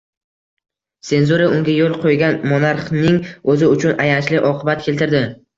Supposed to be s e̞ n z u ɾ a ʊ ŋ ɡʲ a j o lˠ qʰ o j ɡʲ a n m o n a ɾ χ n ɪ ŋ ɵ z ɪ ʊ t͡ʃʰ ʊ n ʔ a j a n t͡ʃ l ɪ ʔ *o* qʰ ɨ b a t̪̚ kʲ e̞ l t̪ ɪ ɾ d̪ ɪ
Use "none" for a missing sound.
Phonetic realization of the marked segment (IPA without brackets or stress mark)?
ɒ